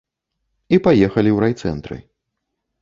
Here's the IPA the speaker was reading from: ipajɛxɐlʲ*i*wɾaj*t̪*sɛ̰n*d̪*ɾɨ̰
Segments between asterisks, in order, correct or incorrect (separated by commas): correct, correct, incorrect